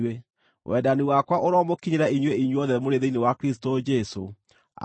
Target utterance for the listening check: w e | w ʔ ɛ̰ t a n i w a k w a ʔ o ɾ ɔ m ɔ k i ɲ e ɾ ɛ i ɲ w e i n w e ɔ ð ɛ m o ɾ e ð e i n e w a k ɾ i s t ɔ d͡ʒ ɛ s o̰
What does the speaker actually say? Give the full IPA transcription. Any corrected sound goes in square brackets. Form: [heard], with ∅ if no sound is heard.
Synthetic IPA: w e | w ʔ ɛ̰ [d] a n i w a k w a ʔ o ɾ ɔ m [o] k i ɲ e ɾ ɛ i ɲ w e i [ɲ] w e ɔ ð ɛ m o ɾ e ð e i n e w a k ɾ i s t [o] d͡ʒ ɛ s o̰